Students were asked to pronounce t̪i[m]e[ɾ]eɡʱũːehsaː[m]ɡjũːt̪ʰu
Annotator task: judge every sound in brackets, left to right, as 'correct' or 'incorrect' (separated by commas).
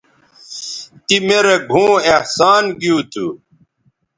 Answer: correct, correct, incorrect